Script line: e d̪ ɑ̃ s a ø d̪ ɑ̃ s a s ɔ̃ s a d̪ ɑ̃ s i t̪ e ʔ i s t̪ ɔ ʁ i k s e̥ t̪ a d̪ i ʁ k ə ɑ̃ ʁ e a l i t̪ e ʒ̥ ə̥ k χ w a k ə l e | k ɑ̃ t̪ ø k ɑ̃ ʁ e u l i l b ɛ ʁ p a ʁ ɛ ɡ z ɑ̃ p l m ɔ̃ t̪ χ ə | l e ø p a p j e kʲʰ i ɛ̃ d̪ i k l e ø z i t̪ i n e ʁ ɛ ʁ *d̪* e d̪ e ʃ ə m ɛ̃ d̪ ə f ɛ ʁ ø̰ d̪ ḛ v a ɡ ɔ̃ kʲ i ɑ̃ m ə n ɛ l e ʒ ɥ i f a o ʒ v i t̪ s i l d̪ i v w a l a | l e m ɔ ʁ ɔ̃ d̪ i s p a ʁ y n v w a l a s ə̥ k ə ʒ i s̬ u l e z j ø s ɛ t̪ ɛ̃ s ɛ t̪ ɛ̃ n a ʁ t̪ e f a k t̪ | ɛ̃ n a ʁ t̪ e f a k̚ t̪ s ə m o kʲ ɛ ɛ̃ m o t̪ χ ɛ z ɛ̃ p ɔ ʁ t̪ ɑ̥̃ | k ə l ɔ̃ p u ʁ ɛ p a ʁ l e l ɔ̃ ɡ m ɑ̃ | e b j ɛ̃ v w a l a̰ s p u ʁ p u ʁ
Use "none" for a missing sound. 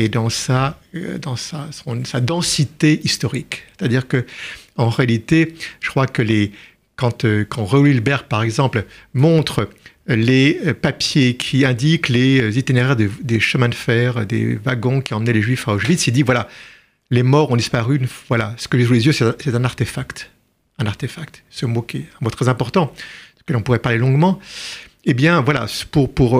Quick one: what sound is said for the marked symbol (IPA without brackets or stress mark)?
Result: d̪